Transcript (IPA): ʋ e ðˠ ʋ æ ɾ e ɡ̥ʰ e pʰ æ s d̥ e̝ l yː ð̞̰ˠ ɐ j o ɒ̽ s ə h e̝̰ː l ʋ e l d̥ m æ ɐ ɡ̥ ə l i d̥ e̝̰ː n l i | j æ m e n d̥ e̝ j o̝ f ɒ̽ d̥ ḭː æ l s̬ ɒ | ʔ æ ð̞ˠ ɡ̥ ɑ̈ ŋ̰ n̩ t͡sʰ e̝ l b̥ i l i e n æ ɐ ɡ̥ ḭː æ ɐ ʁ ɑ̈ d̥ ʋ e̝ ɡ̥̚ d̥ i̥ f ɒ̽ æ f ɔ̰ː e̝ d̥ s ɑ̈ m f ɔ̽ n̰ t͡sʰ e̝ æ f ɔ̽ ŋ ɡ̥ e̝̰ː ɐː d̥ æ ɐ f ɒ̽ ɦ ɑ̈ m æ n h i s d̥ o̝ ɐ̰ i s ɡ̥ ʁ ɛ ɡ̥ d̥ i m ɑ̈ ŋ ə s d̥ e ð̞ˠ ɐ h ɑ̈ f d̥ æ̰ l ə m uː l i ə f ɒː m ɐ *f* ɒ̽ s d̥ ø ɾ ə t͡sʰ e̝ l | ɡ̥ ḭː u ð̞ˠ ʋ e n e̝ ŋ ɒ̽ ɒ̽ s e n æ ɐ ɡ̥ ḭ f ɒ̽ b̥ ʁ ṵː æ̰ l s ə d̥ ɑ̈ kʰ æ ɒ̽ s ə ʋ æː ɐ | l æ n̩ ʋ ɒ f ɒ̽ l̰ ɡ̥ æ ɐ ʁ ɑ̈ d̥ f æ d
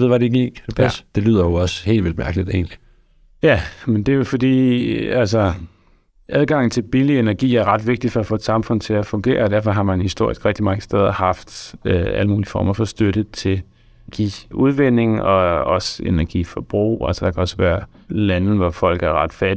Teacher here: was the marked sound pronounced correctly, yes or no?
yes